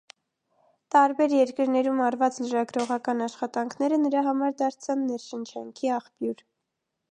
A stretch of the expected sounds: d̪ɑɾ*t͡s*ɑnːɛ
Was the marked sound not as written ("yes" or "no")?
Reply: yes